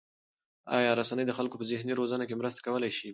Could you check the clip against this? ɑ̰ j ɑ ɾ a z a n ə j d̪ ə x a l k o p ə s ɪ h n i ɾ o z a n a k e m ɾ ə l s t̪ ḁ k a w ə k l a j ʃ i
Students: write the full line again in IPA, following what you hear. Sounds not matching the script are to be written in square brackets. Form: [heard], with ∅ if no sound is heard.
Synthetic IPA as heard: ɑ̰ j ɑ ɾ a [s] a n ə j d̪ ə x a l k o p ə [z] ɪ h n i ɾ o z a n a k e m ɾ ə [∅] s t̪ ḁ k a w ə [∅] l a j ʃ i

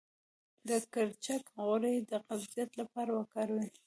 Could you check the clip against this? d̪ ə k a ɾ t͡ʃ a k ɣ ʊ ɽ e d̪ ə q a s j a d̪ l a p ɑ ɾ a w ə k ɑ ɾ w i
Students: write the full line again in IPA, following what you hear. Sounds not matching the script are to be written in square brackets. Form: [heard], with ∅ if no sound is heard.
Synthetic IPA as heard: d̪ ə k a ɾ t͡ʃ a k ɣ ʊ [ɾ] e d̪ ə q a [z] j a [t̪] l a p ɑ ɾ a w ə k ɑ ɾ w i

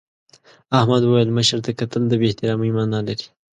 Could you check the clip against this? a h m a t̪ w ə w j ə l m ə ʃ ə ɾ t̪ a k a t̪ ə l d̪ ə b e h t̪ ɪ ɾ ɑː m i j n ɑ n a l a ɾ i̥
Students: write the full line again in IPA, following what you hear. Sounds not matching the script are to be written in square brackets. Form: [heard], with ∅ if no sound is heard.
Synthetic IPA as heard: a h m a [d̪] w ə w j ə l m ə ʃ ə ɾ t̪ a k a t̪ ə l d̪ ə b e h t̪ ɪ ɾ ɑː m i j [m] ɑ n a l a ɾ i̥

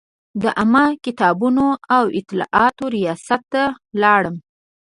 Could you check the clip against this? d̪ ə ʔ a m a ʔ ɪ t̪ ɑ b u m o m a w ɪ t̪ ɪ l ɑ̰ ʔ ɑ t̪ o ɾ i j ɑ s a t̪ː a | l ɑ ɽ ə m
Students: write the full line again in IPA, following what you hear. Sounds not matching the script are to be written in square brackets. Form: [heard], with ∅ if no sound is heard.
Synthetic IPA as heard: d̪ ə ʔ a m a [k] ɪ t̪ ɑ b u [n] o [∅] a w ɪ t̪ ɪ l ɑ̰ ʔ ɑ t̪ o ɾ i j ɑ s a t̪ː a | l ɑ ɽ ə m

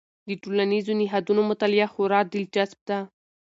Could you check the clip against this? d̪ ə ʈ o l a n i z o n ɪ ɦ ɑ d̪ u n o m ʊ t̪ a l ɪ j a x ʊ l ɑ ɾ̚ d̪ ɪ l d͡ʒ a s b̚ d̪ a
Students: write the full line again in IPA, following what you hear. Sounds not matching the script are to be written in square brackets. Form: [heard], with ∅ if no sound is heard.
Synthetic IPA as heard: d̪ ə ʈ o l a n i z o n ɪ ɦ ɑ d̪ u n o m ʊ t̪ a l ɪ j a x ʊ [ɾ] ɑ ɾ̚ d̪ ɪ l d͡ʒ a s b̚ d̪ a

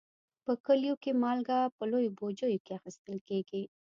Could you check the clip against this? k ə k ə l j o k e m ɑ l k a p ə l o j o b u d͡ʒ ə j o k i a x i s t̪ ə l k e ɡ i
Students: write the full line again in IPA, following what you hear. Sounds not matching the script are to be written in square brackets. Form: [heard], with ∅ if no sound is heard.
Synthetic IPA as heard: [p] ə k ə l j o k e m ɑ l [ɡ] a p ə l o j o b [o] d͡ʒ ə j o k [e] a x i s t̪ ə l k e ɡ i

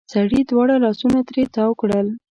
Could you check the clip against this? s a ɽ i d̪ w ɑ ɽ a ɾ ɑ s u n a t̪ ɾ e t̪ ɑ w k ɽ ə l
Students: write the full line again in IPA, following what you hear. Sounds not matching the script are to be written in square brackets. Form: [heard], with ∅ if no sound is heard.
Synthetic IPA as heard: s a ɽ i d̪ w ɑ ɽ a [l] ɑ s u n a t̪ ɾ e t̪ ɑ w k ɽ ə l

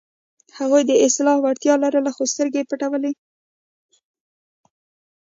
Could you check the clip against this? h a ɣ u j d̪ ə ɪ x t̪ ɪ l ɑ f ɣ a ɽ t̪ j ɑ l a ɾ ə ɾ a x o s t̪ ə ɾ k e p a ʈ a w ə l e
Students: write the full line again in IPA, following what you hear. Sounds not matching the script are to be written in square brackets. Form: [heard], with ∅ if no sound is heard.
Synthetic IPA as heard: h a ɣ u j d̪ ə ɪ [s] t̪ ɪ l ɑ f [w] a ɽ t̪ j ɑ l a ɾ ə [l] a x o s t̪ ə ɾ [ɡ] e p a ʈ a w ə l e

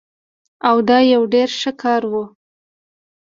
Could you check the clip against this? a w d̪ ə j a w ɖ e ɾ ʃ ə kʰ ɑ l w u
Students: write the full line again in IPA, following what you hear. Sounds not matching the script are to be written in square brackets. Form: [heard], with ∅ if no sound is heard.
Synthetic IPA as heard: a w d̪ [ɑ] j a w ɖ e ɾ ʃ ə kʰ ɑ [ɾ] w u

